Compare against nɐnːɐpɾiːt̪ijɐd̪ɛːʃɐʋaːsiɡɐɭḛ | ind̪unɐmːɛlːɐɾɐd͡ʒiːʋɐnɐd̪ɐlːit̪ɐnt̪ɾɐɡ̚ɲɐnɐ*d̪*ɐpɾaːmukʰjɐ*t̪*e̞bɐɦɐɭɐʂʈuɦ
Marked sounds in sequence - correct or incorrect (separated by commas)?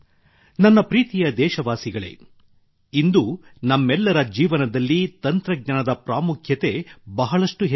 correct, correct